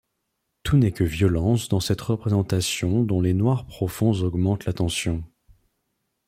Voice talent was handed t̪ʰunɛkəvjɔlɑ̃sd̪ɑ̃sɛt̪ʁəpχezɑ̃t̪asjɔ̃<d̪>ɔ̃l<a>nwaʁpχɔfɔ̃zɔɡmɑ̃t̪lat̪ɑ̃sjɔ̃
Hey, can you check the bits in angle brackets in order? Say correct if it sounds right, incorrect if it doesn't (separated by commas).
correct, incorrect